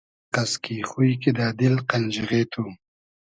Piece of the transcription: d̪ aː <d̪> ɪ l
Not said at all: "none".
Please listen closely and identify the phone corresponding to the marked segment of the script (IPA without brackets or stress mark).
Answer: d̪